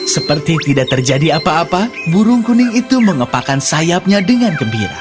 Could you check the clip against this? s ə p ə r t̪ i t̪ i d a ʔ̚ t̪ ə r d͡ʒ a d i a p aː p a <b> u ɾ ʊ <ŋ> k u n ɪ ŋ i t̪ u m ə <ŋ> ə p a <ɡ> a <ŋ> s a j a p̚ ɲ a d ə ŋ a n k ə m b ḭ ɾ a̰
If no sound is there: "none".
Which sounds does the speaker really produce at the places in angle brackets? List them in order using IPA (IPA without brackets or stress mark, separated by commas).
b, ŋ, ŋ, k, n